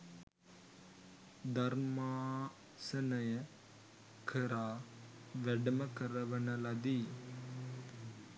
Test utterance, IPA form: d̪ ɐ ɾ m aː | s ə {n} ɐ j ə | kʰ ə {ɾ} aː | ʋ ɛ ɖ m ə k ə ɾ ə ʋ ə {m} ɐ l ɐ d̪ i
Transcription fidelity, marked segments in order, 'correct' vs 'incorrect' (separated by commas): correct, correct, incorrect